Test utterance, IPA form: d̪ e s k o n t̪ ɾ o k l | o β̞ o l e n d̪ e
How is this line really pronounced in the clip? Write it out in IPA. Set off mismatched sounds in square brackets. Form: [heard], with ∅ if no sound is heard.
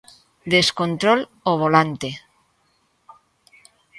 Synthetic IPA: d̪ e s k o n t̪ ɾ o [∅] l | o β̞ o l [a] n [t̪] e

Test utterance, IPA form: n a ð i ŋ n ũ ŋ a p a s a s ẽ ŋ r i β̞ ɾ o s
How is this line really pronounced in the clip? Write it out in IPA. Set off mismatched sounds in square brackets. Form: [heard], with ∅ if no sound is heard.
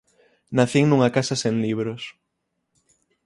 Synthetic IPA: n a [θ] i ŋ n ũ ŋ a [k] a s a s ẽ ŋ [l] i β̞ ɾ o s

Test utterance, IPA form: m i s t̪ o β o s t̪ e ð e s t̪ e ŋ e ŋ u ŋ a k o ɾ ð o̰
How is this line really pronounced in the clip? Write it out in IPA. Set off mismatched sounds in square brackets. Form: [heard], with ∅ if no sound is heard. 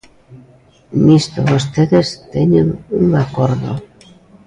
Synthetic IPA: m i s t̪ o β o s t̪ e ð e s t̪ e [ɲ] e ŋ u ŋ a k o ɾ ð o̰

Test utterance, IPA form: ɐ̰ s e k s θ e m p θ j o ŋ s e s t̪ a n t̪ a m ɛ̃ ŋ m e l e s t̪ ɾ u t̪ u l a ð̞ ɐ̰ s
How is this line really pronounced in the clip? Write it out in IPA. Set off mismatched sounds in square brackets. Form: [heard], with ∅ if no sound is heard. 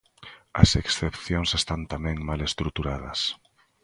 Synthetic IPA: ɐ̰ s e k s θ e [∅] p θ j o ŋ s e s t̪ a n t̪ a m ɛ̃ ŋ m [a] l e s t̪ ɾ u t̪ u [ɾ] a ð̞ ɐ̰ s

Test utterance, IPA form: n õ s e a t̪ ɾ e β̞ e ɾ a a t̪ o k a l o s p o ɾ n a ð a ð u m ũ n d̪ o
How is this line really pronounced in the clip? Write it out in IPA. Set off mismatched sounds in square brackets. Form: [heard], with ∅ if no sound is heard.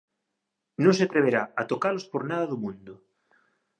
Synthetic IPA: n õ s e a t̪ ɾ e β̞ e ɾ a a t̪ o k a l o s p o ɾ n a ð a ð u m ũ n d̪ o

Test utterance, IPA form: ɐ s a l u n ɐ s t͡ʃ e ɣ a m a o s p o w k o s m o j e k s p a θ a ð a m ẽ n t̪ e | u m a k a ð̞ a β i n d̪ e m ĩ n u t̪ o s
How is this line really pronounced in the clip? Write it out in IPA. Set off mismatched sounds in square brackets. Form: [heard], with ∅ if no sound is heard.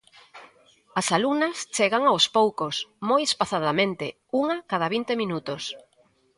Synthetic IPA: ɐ s a l u n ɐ s t͡ʃ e ɣ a [ŋ] a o s p o w k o s m o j e [∅] s p a θ a ð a m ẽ n t̪ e | u [ŋ] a k a ð̞ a β i n [t̪] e m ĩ n u t̪ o s

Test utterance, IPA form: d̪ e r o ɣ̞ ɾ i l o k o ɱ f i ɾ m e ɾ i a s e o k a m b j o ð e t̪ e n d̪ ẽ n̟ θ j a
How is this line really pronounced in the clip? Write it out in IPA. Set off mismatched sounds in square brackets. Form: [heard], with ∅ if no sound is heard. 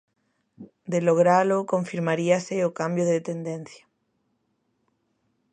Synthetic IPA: d̪ e [l] o ɣ̞ ɾ [a] l o k o ɱ f i ɾ m [a] ɾ i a s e o k a m b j o ð e t̪ e n d̪ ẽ n̟ θ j a

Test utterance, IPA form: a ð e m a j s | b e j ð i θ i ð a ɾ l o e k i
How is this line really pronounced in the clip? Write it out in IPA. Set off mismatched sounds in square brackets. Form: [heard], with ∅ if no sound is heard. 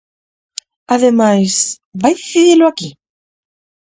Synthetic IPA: a ð e m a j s | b [a] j ð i θ i ð [i] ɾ l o [a] k i

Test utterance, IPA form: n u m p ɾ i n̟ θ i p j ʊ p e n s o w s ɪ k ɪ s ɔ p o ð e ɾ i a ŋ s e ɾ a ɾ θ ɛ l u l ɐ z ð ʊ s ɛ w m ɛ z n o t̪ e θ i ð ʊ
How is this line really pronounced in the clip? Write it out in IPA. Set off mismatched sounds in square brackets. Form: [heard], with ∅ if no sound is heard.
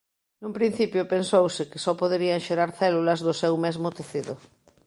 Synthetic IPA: n u m p ɾ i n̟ θ i p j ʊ p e n s o w s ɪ k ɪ s ɔ p o ð e ɾ i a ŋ [ʃ] e ɾ a ɾ θ ɛ l u l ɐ z ð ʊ s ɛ w m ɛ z [m] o t̪ e θ i ð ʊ

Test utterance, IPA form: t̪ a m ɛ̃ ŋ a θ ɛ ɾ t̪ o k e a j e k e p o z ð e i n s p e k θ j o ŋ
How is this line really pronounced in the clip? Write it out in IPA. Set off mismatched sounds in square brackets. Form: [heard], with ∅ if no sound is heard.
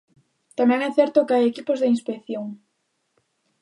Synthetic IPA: t̪ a m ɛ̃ ŋ [ɛ] θ ɛ ɾ t̪ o k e a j e k [i] p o z ð e i n s p e k θ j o ŋ

